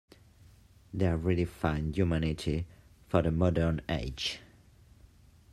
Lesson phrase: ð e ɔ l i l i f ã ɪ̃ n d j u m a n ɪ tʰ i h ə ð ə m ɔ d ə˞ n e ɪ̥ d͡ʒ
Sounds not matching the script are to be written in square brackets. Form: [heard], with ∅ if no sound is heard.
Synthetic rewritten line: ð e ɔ [ɹ] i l i f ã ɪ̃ n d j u m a n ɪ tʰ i [f] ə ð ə m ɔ d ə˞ n e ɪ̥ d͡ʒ